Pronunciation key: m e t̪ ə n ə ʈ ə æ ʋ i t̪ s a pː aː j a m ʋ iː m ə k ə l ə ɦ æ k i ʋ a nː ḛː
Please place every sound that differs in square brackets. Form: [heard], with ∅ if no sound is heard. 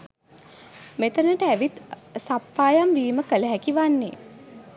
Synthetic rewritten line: m e t̪ ə n ə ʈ ə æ ʋ i t̪ s a pː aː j a m ʋ iː m ə k ə l ə ɦ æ k i ʋ a nː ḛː